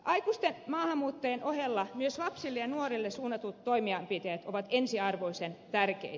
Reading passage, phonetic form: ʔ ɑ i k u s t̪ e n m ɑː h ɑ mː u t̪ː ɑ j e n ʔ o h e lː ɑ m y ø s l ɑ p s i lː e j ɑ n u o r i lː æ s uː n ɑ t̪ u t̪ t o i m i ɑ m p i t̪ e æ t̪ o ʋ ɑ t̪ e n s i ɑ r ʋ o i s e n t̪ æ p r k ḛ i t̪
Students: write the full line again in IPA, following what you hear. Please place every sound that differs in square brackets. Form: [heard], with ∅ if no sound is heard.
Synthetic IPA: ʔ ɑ i k u s t̪ e n m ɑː h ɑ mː [uː] t̪ː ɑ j e n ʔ o h e lː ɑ m y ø s l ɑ p s i lː e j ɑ n u o r i lː [e] s uː n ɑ t̪ u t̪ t o i m i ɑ m p i t̪ e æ t̪ o ʋ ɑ t̪ e n s i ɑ r ʋ o i s e n t̪ æ [∅] r k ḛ i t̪